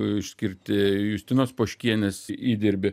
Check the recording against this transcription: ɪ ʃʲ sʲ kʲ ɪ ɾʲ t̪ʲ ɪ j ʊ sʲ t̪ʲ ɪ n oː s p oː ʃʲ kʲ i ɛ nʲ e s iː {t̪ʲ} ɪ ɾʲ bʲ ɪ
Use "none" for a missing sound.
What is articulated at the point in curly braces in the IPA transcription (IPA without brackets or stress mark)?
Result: d̪ʲ